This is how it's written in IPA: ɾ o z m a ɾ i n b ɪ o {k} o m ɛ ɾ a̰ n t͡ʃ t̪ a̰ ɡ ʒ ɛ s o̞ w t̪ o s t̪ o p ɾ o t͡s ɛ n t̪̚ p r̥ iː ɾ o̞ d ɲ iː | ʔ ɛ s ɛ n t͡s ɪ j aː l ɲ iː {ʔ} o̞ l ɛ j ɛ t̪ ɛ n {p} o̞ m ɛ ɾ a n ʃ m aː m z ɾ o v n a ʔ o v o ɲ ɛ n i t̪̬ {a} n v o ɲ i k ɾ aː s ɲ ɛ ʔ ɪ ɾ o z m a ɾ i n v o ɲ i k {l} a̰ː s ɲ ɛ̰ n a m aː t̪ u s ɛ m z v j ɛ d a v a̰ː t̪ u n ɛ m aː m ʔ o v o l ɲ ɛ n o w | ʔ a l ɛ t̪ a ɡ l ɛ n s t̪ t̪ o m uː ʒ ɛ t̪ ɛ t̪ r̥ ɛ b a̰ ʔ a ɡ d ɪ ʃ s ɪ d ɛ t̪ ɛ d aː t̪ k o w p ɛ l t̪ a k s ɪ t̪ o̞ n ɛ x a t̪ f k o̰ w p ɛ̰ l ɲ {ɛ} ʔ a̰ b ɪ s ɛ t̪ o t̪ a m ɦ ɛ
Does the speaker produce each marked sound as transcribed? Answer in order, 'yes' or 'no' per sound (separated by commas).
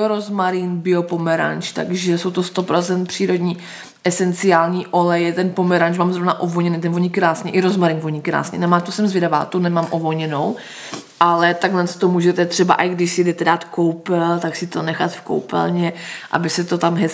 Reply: no, yes, yes, no, no, yes